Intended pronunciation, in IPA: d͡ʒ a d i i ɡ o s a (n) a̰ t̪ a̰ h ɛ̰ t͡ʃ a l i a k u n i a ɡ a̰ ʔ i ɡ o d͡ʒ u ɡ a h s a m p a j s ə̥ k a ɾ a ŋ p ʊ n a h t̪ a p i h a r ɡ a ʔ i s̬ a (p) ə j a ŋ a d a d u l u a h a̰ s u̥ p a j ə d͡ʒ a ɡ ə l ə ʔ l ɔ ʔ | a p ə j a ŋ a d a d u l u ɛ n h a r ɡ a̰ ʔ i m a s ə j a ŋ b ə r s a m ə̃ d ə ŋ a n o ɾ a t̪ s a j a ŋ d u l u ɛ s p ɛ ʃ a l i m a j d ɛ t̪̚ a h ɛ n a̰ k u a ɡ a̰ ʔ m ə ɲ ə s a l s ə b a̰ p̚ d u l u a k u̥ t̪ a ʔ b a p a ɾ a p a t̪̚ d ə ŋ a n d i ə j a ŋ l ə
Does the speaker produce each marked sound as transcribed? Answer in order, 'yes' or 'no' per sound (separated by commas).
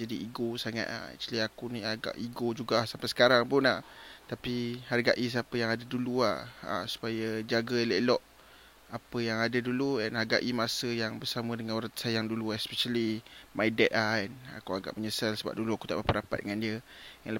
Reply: no, yes